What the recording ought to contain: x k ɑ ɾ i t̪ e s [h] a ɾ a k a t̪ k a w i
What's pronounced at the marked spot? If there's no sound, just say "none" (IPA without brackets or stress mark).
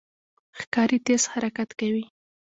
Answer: h